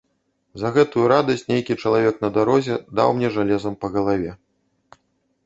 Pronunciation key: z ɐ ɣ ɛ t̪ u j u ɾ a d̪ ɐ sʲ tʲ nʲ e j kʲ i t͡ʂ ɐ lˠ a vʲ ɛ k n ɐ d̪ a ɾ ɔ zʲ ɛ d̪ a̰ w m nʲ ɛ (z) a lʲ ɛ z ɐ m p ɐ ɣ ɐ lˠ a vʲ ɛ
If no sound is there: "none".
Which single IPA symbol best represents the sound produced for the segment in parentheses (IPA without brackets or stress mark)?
ʐ